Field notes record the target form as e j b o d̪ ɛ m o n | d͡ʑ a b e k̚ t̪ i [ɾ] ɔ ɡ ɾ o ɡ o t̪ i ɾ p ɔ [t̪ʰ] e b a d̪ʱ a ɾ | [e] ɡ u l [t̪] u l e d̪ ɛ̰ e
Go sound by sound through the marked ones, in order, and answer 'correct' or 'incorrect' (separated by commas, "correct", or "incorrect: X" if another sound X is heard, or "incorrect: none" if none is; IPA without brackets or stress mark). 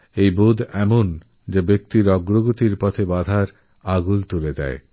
correct, correct, incorrect: a, correct